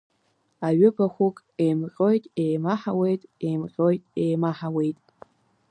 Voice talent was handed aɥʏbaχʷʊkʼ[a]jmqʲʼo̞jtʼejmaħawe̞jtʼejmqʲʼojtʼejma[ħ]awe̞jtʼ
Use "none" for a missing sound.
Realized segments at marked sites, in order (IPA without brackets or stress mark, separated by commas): e, ħ